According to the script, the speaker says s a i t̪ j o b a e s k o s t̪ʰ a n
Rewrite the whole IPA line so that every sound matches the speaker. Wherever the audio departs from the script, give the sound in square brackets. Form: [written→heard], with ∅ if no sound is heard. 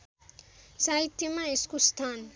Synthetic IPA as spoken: s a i t̪ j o [b→m] a e s k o s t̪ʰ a n